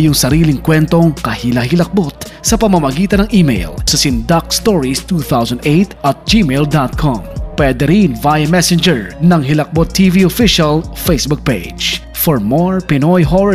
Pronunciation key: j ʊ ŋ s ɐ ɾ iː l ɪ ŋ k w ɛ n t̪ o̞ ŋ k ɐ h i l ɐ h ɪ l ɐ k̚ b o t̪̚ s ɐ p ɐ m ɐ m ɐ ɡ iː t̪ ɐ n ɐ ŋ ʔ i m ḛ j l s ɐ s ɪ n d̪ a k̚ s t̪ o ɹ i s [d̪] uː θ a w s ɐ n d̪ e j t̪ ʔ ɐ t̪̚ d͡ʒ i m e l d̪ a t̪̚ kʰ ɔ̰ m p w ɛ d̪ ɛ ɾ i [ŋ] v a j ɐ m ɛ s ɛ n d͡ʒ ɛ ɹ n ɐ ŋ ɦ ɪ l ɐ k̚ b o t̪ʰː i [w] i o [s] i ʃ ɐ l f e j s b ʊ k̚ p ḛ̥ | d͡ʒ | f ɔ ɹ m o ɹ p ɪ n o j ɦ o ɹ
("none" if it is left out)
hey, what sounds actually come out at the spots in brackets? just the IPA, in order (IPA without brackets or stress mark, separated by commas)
t̪, n, v, f